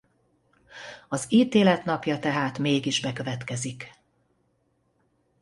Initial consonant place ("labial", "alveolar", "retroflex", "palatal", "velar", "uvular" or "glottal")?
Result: alveolar